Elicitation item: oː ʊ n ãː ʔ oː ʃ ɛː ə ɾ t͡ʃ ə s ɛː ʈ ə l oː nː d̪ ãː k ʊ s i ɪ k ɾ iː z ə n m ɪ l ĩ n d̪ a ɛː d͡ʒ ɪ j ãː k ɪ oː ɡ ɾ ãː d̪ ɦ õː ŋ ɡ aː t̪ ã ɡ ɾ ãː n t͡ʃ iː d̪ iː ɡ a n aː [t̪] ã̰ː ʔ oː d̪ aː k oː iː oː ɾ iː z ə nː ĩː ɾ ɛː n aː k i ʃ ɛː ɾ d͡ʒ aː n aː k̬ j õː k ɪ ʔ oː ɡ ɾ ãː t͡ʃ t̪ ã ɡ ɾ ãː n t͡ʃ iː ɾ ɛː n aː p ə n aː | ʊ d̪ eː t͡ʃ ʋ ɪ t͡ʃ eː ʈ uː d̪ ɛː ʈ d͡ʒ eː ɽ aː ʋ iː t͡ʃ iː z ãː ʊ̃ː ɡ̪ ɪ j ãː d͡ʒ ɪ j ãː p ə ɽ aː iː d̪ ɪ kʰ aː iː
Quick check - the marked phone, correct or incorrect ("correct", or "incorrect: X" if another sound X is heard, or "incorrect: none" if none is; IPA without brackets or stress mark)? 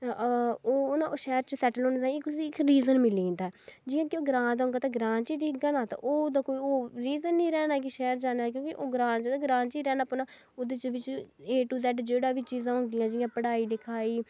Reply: correct